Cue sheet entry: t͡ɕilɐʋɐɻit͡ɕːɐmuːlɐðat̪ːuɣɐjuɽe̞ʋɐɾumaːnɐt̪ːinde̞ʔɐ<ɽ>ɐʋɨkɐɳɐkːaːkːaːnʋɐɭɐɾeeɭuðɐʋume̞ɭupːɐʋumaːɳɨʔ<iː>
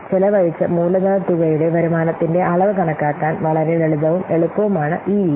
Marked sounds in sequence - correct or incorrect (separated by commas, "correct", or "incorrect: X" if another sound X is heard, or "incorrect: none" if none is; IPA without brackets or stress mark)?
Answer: incorrect: ɭ, correct